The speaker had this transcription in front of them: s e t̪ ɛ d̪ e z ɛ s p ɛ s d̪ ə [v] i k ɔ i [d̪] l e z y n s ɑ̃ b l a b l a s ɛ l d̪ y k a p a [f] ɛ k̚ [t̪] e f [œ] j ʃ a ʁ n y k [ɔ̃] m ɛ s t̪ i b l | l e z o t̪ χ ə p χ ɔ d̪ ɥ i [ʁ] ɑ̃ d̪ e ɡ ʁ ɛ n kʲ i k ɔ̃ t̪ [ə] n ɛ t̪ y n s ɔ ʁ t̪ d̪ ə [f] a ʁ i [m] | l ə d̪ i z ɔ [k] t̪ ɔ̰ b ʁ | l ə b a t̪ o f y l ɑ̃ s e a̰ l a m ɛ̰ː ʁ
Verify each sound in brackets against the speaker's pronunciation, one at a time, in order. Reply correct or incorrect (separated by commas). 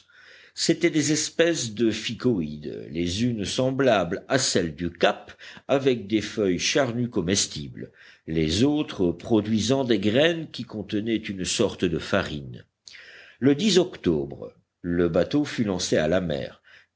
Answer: incorrect, correct, incorrect, incorrect, correct, incorrect, incorrect, correct, correct, incorrect, correct